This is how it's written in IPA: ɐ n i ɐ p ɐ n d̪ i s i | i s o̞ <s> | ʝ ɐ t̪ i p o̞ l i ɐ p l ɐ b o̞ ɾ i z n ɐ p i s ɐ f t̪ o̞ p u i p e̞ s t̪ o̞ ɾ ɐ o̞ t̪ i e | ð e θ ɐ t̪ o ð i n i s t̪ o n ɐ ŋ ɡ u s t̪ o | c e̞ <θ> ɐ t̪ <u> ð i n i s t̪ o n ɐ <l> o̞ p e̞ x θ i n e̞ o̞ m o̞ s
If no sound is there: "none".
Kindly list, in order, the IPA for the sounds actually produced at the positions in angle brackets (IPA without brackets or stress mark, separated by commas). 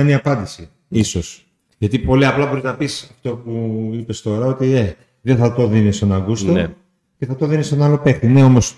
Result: s, θ, o, l